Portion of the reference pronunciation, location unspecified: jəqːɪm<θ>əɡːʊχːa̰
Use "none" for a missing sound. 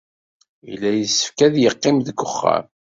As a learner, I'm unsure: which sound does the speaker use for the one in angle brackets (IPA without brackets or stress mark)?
ð